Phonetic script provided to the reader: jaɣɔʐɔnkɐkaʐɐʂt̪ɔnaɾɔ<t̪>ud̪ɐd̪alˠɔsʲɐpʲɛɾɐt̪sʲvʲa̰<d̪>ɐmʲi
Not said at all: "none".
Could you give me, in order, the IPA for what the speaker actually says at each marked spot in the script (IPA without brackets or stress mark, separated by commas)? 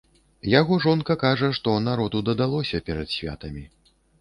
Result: d̪, t̪